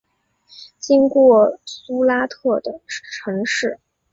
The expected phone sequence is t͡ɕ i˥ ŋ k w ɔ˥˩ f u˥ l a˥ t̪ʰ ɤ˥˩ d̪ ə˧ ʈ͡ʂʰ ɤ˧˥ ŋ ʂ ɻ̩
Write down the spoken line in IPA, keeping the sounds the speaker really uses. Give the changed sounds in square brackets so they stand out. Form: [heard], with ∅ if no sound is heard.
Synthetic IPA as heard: t͡ɕ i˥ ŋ k w ɔ˥˩ [s] u˥ l a˥ t̪ʰ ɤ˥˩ d̪ [ə˩] ʈ͡ʂʰ ɤ˧˥ ŋ ʂ ɻ̩